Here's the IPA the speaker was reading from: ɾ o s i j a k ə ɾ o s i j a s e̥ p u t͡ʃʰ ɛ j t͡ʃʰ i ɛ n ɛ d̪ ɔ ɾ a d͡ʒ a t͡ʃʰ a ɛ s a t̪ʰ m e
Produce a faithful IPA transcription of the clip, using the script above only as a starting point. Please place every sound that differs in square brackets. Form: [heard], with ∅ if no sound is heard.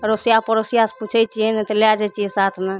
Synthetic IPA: ɾ o s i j a [p] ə ɾ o s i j a s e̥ p u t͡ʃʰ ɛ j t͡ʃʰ i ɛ n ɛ [t̪] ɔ [l] a d͡ʒ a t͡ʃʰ [i] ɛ s a t̪ʰ m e